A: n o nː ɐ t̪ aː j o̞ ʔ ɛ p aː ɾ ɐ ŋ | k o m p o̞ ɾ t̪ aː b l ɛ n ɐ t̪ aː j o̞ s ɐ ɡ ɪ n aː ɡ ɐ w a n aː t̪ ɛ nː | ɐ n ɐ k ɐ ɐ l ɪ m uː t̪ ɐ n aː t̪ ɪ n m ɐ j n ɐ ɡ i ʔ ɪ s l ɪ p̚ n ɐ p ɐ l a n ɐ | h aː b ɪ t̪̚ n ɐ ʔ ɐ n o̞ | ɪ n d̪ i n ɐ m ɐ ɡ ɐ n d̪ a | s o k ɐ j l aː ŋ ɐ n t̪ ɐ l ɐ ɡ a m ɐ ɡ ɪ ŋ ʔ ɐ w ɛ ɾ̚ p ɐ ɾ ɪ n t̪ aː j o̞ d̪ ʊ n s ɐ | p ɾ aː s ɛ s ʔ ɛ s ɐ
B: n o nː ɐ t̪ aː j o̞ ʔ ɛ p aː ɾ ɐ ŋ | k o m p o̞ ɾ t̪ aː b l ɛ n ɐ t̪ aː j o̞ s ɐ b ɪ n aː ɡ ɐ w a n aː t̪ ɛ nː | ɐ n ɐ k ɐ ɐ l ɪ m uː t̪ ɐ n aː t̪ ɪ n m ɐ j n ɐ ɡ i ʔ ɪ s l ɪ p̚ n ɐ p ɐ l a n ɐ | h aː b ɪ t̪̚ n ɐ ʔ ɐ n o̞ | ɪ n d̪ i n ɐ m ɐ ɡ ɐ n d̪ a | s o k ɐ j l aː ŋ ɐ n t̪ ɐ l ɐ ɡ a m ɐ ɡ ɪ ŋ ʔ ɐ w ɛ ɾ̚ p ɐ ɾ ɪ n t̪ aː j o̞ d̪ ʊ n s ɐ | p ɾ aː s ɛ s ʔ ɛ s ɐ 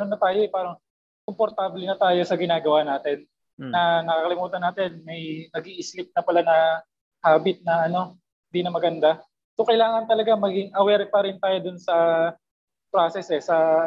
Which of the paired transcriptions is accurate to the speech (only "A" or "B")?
A